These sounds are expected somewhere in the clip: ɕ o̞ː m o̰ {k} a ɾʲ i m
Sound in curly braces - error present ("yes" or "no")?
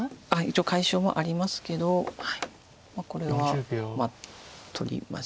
yes